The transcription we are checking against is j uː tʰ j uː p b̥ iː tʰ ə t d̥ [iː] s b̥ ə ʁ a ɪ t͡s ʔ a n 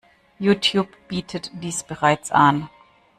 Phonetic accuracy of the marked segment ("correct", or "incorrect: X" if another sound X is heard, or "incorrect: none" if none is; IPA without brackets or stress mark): correct